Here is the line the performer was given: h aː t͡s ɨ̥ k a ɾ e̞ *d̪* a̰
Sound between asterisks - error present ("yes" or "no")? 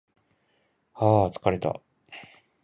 yes